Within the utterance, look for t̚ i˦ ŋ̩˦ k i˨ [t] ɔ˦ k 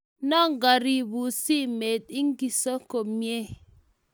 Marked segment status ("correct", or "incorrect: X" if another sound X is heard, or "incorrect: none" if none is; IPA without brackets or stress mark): incorrect: s